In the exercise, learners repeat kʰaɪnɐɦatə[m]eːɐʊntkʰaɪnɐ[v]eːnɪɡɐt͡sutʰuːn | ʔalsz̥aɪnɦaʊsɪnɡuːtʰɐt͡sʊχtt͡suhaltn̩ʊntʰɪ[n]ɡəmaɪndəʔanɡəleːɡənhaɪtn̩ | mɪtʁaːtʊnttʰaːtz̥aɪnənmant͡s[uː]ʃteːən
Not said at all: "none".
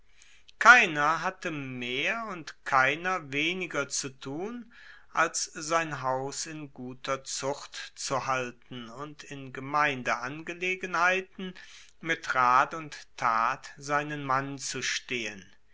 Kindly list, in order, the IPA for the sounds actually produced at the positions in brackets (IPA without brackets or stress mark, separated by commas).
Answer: m, v, n, u